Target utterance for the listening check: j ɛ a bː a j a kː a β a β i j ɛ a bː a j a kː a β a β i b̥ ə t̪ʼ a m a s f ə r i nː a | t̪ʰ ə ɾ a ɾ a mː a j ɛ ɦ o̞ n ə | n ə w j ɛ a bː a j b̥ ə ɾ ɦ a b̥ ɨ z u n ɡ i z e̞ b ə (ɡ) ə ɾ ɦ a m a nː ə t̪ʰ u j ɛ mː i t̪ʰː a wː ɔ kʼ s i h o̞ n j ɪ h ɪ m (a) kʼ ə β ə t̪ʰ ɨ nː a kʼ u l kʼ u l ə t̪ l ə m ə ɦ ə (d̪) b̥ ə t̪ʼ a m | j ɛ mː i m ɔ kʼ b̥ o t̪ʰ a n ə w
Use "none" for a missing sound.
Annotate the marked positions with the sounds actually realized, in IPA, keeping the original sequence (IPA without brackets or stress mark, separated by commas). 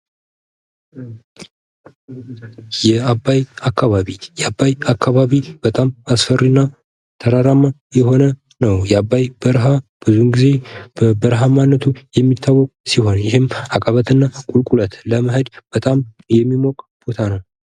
b, a, d̪